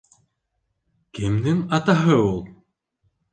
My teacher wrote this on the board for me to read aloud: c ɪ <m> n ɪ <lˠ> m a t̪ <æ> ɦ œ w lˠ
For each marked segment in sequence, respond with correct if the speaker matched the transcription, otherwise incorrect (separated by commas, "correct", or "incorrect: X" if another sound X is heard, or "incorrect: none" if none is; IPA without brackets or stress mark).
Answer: correct, incorrect: none, incorrect: a